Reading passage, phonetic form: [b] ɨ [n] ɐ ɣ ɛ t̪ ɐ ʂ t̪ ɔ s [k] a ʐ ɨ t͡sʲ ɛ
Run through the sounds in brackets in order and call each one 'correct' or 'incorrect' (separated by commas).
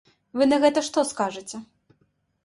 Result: incorrect, correct, correct